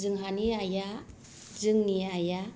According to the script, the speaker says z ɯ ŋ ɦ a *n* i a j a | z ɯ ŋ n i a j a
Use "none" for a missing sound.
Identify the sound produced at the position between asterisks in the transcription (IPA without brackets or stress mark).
n